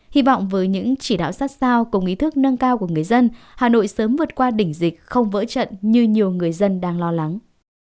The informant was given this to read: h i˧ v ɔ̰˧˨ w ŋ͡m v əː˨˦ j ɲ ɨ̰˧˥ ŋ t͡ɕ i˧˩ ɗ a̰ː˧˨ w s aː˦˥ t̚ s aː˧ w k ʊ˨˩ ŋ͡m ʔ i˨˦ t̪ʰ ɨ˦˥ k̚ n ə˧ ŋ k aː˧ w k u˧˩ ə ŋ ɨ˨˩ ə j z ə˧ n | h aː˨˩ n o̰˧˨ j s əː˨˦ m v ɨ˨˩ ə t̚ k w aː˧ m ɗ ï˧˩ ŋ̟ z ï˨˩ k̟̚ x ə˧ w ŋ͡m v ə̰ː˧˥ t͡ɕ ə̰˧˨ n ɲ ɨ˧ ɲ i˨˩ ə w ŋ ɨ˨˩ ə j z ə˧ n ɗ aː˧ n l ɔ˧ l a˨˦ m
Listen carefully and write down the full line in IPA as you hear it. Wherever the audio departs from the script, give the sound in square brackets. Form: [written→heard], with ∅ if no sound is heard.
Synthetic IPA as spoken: h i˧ v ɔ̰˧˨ w ŋ͡m v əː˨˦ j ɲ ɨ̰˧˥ ŋ t͡ɕ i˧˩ ɗ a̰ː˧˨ w s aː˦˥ t̚ s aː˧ w k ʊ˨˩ ŋ͡m ʔ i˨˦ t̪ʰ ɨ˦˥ k̚ n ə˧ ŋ k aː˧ w k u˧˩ ə ŋ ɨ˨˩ ə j z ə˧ n | h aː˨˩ n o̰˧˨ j s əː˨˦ m v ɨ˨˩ ə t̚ k w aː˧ [m→∅] ɗ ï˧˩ ŋ̟ z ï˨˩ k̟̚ x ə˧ w ŋ͡m v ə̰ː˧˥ t͡ɕ ə̰˧˨ n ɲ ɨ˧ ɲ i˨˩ ə w ŋ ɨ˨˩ ə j z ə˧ n ɗ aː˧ [n→ŋ] l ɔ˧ l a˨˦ [m→ŋ]